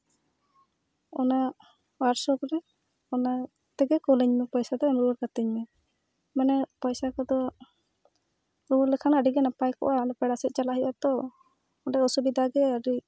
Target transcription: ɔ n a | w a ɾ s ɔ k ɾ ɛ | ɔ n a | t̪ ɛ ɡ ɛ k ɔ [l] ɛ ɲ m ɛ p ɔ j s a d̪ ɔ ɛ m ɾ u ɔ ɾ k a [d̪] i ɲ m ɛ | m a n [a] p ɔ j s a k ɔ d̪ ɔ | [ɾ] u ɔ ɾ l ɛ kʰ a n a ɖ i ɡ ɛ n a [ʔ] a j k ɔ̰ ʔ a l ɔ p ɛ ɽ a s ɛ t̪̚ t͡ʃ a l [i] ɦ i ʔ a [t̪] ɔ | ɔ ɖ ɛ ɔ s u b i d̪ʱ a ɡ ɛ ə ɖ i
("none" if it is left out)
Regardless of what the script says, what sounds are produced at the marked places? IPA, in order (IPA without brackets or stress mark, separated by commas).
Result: l, t̪, ɛ, ɾ, p, a, t̪